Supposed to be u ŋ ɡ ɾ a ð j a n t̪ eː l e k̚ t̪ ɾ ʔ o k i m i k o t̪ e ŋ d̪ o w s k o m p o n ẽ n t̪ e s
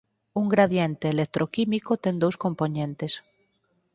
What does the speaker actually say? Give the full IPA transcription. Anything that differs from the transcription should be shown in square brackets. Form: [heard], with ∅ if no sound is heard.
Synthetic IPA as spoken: u ŋ ɡ ɾ a ð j [e] n t̪ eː l e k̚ t̪ ɾ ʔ o k i m i k o t̪ e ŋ d̪ o w s k o m p o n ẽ n t̪ e s